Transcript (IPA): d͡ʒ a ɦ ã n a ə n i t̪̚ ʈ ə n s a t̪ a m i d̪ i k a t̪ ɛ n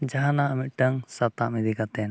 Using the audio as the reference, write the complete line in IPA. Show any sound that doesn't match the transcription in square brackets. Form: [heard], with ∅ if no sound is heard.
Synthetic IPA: d͡ʒ a ɦ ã n a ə [m] i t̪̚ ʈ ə [ŋ] s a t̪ a m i d̪ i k a t̪ ɛ n